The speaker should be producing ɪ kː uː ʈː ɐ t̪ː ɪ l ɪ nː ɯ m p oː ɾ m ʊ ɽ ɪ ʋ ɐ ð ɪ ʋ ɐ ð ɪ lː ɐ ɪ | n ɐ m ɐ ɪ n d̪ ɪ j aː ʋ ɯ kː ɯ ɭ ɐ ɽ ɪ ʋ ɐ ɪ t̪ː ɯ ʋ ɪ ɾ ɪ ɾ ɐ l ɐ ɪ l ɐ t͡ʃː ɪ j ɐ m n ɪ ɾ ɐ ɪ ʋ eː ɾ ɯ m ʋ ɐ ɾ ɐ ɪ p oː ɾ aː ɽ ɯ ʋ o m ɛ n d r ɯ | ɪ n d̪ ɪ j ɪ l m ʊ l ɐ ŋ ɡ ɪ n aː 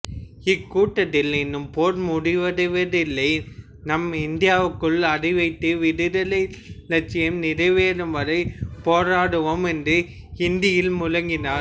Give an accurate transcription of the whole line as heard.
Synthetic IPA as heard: ɪ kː uː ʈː ɐ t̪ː ɪ l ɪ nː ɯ m p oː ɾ m ʊ ɽ ɪ ʋ ɐ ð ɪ ʋ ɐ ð ɪ lː ɐ ɪ | n ɐ m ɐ ɪ n d̪ ɪ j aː ʋ ɯ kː ɯ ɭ ɐ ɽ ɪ ʋ ɐ ɪ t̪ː ɯ ʋ ɪ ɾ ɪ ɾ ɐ l ɐ ɪ l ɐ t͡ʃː ɪ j ɐ m n ɪ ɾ ɐ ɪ ʋ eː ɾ ɯ m ʋ ɐ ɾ ɐ ɪ p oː ɾ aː ɽ ɯ ʋ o m ɛ n d r ɯ | ɪ n d̪ ɪ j ɪ l m ʊ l ɐ ŋ ɡ ɪ n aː